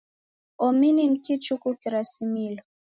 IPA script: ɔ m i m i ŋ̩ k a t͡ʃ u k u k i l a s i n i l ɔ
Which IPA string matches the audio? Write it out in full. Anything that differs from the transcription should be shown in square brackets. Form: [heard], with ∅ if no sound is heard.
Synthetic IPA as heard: ɔ m i [n] i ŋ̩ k [i] t͡ʃ u k u k i [ɾ] a s i [m] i l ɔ